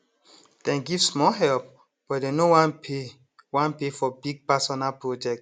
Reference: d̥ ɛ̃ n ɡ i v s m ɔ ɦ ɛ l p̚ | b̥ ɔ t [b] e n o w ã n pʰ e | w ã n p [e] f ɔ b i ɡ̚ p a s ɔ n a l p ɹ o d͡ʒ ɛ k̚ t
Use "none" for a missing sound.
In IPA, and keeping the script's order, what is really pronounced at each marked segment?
d, e

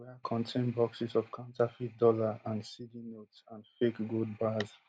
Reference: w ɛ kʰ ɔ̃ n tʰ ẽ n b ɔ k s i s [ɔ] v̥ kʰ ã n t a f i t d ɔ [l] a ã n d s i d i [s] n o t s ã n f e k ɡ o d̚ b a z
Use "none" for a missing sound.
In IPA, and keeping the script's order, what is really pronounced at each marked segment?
ɔ, l, none

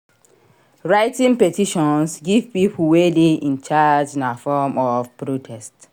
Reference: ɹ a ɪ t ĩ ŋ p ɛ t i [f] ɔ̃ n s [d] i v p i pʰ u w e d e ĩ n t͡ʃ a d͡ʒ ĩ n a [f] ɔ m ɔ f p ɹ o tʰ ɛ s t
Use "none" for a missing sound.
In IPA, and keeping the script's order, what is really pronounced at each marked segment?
ʃ, ɡ, f

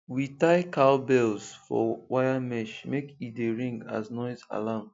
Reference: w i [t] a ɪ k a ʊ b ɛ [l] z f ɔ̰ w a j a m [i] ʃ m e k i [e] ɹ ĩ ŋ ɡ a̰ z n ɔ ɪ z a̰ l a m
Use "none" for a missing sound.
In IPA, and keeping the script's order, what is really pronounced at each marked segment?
t, l, ɛ, e

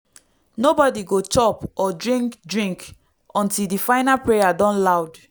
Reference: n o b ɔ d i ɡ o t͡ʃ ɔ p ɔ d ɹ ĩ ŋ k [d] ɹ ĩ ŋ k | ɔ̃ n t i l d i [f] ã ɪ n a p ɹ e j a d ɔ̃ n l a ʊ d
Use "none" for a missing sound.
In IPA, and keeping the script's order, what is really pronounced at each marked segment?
d, f

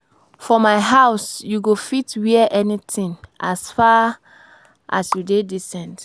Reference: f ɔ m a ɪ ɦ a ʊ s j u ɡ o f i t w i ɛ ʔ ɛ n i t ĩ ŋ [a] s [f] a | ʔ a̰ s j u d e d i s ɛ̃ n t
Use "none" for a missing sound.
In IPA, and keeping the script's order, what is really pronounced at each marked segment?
a, f

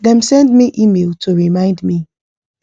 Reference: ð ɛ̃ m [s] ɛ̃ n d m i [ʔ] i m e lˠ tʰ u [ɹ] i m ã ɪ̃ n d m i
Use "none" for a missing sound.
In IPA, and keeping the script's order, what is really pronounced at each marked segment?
s, ʔ, ɹ

